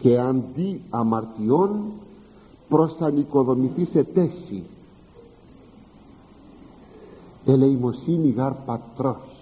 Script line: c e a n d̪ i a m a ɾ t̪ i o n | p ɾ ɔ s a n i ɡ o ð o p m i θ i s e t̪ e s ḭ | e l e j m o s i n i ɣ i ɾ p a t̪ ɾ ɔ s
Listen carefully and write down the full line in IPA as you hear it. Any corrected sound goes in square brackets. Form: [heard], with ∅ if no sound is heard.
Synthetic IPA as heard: [k] e a n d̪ i a m a ɾ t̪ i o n | p ɾ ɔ s a n i [k] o ð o [∅] m i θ i s e t̪ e s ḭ | e l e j m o s i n i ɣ [a] ɾ p a t̪ ɾ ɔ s